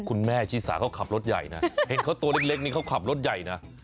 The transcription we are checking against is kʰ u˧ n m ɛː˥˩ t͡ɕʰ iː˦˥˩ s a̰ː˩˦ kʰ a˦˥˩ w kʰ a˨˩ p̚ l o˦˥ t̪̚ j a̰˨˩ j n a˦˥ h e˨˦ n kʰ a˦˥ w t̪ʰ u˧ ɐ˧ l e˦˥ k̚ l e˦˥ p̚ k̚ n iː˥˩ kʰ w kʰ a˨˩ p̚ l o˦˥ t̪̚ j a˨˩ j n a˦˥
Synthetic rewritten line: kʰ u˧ n m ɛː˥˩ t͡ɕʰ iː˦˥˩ s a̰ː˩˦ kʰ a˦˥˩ w kʰ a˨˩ p̚ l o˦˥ t̪̚ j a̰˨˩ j n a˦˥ h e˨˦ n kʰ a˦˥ w t̪ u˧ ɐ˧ l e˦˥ k̚ l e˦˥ k̚ n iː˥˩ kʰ w kʰ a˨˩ p̚ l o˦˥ t̪̚ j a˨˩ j n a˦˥